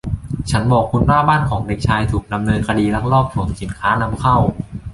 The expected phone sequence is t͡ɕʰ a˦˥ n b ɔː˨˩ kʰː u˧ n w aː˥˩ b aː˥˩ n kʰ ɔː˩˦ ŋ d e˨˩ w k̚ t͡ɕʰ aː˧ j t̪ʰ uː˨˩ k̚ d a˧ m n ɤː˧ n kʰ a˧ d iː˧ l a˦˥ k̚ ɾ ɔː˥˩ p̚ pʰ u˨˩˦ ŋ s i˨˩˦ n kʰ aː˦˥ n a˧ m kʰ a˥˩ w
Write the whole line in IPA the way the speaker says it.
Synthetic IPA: t͡ɕʰ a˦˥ n b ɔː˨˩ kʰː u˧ n w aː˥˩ b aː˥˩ n kʰ ɔː˩˦ ŋ d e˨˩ k̚ t͡ɕʰ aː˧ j t̪ʰ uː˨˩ k̚ d a˧ m n ɤː˧ n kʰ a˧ d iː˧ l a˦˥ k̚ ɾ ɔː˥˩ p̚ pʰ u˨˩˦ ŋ s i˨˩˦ n kʰ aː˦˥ n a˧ m kʰ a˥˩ w